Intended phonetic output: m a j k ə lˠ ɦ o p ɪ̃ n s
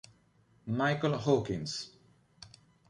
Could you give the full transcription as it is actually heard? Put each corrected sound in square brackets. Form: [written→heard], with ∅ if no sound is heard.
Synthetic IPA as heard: m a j k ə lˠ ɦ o [p→k] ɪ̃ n s